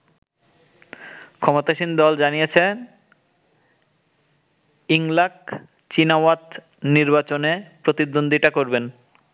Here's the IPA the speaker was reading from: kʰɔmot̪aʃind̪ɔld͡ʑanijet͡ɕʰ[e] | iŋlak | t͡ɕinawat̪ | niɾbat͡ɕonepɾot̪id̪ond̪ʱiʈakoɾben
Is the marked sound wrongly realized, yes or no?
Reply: no